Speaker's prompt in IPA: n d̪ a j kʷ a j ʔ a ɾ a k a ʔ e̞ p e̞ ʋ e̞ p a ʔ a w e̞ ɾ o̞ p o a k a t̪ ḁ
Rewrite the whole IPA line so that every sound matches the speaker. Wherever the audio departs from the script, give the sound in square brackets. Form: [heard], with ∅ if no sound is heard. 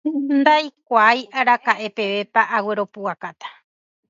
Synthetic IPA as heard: n d̪ a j kʷ a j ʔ a ɾ a k a ʔ e̞ p e̞ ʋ e̞ p a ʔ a w e̞ ɾ o̞ p [u] a k a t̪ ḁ